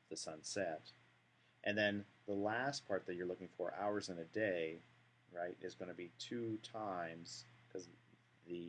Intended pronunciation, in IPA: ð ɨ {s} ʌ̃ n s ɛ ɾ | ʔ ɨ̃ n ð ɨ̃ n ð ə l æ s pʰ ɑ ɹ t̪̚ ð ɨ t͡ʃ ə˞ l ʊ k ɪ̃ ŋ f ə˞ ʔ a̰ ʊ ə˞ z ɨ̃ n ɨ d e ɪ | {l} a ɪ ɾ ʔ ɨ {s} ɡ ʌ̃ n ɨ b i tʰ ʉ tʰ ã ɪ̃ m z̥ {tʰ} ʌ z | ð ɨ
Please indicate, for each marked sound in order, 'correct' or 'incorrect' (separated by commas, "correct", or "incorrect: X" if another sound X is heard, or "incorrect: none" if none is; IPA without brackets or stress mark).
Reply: correct, incorrect: ɹ, incorrect: z, incorrect: kʰ